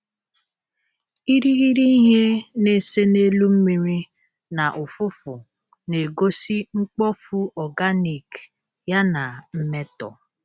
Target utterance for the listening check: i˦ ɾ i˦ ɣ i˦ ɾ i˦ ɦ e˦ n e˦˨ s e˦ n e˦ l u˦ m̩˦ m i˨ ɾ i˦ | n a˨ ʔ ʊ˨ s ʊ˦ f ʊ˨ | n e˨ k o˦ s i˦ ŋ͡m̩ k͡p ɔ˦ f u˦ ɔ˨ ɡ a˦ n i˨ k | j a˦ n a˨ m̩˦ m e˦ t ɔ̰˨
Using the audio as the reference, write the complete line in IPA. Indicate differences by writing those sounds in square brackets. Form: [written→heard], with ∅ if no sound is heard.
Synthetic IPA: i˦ ɾ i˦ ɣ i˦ ɾ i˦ ɦ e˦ n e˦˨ s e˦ n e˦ l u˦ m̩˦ m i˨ ɾ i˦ | n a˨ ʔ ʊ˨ [s→f] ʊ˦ f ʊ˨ | n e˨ [k→ɡ] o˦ s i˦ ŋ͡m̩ k͡p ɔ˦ f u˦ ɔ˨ ɡ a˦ n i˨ k | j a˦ n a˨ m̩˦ m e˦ t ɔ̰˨